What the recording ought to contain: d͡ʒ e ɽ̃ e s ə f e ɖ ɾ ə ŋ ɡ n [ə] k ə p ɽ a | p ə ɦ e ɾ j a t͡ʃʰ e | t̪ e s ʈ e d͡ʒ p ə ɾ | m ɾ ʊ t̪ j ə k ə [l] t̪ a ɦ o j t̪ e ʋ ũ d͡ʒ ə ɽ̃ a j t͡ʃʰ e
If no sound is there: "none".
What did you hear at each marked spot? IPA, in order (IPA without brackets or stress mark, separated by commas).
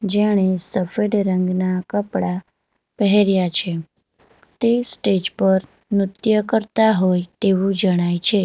a, ɾ